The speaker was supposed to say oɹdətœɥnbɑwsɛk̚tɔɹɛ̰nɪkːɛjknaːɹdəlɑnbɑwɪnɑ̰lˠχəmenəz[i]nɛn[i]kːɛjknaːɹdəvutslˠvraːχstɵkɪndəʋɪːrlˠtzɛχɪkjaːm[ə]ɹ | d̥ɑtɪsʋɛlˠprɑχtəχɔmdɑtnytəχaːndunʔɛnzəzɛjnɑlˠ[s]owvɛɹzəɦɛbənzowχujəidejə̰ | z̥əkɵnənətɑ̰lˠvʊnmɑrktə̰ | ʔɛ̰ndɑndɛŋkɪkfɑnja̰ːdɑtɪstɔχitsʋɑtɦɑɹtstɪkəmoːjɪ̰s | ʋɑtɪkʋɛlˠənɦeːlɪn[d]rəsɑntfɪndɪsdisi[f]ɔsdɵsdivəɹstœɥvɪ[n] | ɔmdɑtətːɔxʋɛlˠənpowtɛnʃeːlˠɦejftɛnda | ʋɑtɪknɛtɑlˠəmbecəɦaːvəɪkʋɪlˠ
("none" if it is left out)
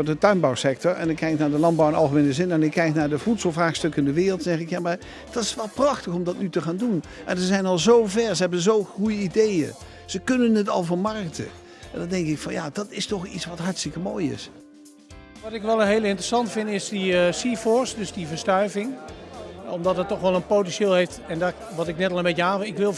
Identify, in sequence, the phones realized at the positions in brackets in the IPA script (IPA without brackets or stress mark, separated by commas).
ɪ, ɪ, a, z, t, f, ŋ